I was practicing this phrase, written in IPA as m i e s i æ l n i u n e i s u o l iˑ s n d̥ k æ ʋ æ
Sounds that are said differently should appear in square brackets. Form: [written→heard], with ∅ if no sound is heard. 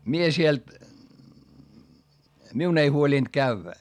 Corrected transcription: m i e s i [æ→e] l [n→m] i u n e i [s→h] u o l iˑ [s→∅] n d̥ k æ [ʋ→ʋː] æ